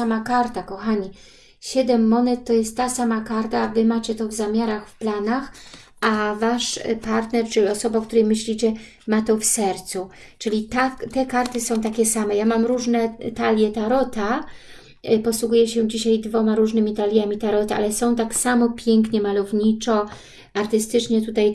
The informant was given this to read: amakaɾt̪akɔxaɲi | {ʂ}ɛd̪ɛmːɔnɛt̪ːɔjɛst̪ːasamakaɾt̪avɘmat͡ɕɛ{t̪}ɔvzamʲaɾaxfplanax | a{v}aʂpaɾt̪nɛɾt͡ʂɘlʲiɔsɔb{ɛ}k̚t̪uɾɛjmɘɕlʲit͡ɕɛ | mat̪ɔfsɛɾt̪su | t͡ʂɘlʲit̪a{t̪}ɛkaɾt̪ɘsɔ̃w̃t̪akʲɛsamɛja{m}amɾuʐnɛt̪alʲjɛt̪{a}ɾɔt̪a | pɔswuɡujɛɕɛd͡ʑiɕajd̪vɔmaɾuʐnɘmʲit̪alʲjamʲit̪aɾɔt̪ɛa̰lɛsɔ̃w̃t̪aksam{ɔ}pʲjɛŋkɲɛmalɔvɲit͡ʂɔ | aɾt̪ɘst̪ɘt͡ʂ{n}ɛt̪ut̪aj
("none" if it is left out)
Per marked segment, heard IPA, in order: ɕ, t̪, v, a, t̪, m, a, ɔ, ɲ

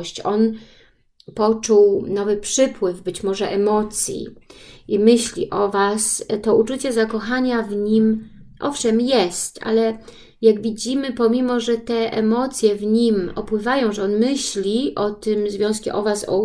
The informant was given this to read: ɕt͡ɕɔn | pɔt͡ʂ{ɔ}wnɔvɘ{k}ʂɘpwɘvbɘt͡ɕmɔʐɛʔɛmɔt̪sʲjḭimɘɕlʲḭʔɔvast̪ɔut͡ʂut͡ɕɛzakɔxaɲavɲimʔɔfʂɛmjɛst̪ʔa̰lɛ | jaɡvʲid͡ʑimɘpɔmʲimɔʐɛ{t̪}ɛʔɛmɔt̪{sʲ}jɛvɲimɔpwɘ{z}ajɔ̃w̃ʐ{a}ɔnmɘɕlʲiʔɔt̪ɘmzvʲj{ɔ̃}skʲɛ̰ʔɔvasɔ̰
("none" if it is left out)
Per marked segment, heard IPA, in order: u, p, t̪, sʲ, v, ɛ, ɔ̃

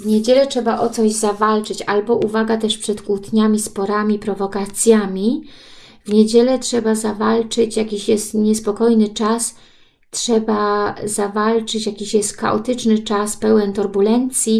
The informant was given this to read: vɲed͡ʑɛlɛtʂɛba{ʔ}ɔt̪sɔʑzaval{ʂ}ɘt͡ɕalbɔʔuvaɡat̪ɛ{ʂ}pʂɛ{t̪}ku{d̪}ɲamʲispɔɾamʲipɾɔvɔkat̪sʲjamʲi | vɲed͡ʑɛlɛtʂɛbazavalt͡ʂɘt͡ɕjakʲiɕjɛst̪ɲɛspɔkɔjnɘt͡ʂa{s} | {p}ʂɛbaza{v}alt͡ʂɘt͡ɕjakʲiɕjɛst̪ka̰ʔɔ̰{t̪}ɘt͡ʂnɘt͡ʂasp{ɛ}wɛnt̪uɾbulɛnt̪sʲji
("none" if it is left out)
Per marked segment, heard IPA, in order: ʔ, t͡ʂ, ʂ, t̪, t̪, s, t, v, t̪, ɛ

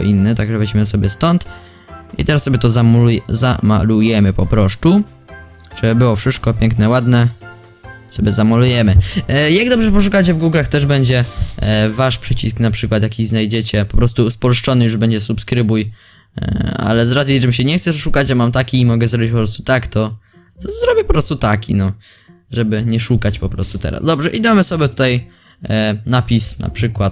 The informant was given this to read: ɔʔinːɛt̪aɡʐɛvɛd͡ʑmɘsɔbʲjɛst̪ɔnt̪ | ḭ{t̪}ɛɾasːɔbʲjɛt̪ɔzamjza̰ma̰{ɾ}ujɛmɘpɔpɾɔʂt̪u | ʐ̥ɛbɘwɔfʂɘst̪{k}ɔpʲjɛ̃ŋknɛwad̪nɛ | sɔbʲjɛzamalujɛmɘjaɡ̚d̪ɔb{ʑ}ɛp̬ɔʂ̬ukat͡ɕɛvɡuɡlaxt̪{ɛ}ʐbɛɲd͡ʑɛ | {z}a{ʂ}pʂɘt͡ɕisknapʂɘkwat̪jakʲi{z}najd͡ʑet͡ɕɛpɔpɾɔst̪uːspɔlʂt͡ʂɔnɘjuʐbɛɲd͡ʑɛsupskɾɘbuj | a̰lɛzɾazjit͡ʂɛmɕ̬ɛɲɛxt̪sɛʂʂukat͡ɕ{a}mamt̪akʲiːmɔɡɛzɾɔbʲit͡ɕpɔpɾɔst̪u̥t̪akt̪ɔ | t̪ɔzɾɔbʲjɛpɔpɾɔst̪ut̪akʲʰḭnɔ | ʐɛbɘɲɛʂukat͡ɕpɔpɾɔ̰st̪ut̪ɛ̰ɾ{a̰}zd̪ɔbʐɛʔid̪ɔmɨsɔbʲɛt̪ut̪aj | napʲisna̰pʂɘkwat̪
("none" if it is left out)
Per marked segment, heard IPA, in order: t̪, l, k, ʐ, ɛ, v, ʂ, z, a, a̰

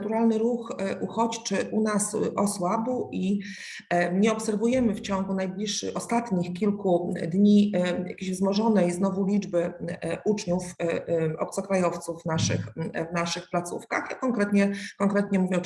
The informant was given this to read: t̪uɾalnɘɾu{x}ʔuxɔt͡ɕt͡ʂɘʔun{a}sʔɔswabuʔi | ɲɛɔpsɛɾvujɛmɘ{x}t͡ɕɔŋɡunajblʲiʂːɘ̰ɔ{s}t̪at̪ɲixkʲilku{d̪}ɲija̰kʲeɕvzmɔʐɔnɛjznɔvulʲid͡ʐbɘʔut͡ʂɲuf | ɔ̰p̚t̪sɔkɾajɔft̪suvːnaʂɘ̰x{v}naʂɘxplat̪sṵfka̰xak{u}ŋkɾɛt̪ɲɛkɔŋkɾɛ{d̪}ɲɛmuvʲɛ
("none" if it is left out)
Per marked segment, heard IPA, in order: x, a, f, s, d̪, v, ɔ, t̪

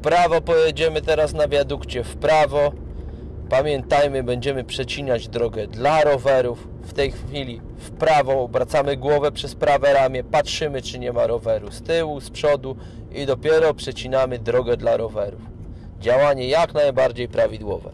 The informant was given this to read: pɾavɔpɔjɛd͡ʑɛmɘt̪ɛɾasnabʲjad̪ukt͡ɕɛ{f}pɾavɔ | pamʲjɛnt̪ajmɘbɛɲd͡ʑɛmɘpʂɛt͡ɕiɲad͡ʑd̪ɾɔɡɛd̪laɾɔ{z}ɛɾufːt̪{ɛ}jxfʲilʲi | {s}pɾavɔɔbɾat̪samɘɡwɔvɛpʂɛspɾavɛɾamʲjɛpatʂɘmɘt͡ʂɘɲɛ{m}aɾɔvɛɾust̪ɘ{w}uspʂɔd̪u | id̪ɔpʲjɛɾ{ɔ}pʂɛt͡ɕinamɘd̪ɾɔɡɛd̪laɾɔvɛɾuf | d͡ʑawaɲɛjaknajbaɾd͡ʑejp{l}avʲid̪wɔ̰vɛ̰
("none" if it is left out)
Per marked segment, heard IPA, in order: f, v, ɛ, f, m, w, ɔ, ɾ

